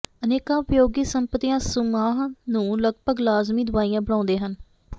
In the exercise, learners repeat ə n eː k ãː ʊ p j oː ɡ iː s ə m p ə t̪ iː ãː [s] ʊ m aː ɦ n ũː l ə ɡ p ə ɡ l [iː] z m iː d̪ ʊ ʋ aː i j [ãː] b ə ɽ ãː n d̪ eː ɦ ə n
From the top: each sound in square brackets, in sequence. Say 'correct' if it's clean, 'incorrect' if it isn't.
correct, incorrect: aː, correct

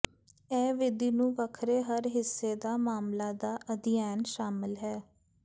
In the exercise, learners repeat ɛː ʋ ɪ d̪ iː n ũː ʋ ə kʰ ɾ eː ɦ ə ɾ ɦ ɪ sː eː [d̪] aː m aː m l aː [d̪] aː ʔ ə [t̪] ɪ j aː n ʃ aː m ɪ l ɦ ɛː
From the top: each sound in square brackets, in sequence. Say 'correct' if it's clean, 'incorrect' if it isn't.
correct, correct, incorrect: d̪

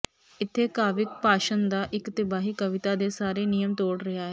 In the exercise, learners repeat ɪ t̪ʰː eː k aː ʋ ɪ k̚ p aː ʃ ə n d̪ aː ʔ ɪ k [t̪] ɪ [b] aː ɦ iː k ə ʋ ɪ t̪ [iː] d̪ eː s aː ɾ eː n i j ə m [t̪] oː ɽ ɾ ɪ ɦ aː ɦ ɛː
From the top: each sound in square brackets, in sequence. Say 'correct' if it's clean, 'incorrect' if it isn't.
correct, correct, incorrect: aː, correct

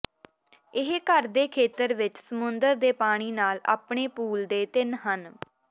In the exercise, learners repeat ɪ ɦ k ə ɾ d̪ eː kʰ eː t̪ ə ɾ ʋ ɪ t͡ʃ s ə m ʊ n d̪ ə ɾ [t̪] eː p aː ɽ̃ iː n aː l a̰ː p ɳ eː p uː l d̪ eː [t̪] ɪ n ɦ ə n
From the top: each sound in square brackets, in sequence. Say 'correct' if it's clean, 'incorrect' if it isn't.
incorrect: d̪, correct

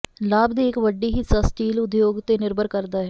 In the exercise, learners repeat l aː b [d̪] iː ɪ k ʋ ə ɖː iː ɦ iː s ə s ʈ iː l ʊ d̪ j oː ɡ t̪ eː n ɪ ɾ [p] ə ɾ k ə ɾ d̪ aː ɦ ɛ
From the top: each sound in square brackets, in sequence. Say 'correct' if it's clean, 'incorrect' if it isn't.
correct, incorrect: b

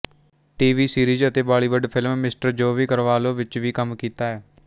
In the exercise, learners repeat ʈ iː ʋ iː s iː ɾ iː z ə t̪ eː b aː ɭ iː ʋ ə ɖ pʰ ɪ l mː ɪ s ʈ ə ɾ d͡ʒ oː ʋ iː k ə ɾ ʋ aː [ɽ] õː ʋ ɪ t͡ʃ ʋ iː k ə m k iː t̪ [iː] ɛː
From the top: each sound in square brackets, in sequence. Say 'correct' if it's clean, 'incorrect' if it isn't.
incorrect: l, incorrect: aː

